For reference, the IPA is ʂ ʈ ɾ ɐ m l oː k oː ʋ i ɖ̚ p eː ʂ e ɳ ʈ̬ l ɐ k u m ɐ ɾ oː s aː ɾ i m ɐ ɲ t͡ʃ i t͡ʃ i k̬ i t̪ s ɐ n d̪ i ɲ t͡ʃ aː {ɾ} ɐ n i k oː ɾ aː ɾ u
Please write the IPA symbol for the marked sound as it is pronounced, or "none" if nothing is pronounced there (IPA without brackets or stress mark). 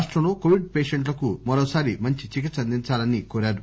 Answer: l